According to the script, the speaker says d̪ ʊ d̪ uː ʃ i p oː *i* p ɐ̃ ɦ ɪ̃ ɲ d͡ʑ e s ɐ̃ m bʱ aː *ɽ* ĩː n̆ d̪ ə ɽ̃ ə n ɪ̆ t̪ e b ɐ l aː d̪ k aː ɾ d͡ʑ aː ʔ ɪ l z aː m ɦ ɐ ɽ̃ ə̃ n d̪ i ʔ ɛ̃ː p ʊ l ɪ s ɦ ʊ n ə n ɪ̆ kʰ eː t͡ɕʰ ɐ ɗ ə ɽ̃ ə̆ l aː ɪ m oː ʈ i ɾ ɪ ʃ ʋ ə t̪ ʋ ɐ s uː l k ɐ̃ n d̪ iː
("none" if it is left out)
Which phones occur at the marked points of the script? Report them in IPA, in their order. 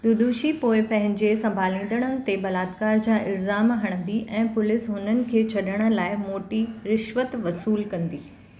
ɪ, l

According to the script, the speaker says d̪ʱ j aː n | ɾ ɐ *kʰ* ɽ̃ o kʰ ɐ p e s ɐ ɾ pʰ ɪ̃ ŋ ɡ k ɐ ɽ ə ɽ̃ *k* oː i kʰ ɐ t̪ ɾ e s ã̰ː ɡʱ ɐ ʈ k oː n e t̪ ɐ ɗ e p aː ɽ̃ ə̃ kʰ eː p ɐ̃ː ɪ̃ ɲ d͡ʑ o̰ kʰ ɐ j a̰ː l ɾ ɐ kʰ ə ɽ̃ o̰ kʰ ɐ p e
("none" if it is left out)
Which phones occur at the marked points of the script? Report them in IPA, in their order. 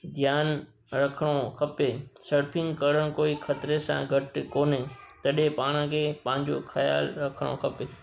kʰ, k

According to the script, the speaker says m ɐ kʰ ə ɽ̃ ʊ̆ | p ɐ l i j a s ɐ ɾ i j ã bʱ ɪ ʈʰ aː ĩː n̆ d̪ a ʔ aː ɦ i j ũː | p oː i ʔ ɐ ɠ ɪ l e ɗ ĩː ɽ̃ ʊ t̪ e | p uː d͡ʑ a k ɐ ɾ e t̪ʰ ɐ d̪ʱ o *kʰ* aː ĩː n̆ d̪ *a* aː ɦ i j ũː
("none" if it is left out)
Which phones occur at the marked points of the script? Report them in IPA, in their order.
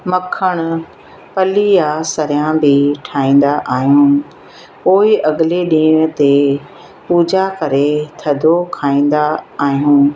kʰ, a

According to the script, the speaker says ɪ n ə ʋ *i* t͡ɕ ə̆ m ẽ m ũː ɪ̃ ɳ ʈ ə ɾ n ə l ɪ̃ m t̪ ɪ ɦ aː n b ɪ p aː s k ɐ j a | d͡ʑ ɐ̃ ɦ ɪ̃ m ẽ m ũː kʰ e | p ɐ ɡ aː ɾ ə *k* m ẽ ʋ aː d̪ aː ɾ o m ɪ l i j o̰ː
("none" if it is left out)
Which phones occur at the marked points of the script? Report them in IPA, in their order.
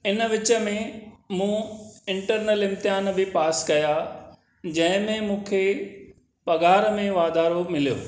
ɪ, none

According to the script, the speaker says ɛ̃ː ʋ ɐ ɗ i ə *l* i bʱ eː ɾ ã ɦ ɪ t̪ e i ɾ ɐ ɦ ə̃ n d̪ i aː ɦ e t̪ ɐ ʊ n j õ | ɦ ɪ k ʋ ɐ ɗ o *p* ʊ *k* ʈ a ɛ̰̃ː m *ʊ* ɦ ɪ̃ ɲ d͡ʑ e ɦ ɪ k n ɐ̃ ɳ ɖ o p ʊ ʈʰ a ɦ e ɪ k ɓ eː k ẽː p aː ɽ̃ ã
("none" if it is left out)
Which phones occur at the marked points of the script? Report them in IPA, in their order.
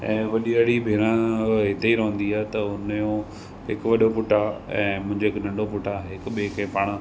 ɽ, p, none, ʊ̃

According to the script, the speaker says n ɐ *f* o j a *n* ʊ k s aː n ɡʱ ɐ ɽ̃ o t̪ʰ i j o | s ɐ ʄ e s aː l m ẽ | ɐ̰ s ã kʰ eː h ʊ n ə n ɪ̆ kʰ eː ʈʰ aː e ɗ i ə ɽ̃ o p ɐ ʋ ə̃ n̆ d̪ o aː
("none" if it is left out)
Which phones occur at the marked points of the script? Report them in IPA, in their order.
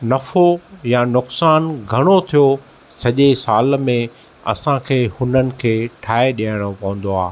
f, n

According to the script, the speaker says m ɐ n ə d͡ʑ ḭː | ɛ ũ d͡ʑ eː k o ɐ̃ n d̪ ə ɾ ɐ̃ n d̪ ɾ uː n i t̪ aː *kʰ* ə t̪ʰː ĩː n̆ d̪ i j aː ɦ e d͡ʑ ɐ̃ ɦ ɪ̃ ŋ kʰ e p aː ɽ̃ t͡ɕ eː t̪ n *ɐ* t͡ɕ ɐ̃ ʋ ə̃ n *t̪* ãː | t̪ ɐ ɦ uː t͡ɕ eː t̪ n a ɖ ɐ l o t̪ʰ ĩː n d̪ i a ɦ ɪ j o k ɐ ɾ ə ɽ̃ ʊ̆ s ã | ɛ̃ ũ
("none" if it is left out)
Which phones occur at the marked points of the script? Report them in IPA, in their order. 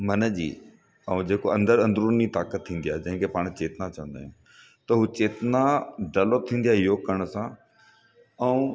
k, a, d̪

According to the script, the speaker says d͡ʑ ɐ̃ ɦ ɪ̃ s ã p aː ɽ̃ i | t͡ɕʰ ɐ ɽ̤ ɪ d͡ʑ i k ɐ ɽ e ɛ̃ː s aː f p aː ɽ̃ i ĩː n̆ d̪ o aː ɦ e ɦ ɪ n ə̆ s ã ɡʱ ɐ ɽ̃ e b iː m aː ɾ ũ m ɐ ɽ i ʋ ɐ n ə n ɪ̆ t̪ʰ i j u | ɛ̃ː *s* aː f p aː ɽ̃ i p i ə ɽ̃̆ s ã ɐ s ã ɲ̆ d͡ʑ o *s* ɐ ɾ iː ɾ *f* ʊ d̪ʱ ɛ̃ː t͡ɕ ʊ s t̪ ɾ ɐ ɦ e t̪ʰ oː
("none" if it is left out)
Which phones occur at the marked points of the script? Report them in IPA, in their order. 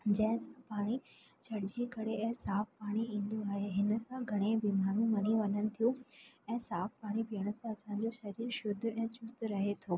s, ʃ, ʃ

